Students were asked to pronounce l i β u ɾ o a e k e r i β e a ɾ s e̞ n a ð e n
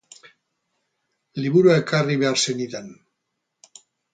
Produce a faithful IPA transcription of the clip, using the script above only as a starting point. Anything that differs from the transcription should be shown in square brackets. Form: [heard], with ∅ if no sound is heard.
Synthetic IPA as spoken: l i β u ɾ [u] a e k [a] r i β e a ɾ s e̞ n [i] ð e n

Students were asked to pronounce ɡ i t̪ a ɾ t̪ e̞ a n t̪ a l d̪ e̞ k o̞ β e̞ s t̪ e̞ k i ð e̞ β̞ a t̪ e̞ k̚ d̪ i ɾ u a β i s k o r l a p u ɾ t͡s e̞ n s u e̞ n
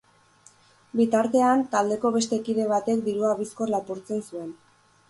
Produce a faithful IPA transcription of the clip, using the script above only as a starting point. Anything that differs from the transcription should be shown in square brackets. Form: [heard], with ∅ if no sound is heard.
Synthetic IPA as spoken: [b] i t̪ a ɾ t̪ e̞ a n t̪ a l d̪ e̞ k o̞ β e̞ s t̪ e̞ k i ð e̞ β̞ a t̪ e̞ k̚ d̪ i ɾ u a β i s k o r l a p u ɾ t͡s e̞ n s u e̞ n

